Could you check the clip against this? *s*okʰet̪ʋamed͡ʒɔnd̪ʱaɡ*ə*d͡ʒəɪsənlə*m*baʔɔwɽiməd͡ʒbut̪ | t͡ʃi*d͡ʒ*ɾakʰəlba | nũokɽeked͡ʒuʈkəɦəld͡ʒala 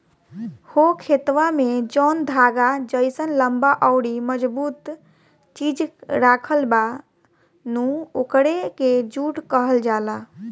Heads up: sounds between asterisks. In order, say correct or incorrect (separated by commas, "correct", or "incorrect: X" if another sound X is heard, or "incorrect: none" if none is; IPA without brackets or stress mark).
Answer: incorrect: h, incorrect: a, correct, correct